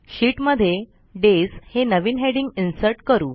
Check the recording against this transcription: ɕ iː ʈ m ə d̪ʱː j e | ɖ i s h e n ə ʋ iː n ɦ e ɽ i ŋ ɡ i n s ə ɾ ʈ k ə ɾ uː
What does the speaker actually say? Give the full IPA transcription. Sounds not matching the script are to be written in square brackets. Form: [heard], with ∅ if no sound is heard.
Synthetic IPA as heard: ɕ iː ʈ m ə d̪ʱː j e | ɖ [e] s h e n ə ʋ iː n ɦ e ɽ i ŋ ɡ i n s ə ɾ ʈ k ə ɾ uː